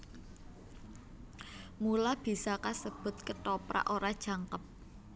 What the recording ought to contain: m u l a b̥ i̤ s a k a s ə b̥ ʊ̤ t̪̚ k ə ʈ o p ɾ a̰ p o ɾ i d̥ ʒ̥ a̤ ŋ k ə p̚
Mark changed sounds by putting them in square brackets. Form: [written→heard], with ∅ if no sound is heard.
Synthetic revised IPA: m u l a b̥ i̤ s a k a s ə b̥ ʊ̤ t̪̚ k ə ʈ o p ɾ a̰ [p→ʔ] o ɾ [i→a] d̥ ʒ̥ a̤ ŋ k ə p̚